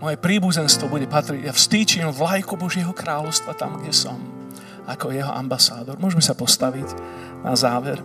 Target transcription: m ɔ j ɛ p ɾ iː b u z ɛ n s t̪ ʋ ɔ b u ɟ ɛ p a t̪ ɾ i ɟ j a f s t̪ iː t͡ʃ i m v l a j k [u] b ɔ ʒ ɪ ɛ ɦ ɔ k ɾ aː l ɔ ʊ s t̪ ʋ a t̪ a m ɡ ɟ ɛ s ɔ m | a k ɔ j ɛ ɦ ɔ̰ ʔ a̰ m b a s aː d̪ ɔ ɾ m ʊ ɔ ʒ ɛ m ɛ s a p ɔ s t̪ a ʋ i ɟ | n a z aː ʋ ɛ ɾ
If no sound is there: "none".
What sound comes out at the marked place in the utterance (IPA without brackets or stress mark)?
u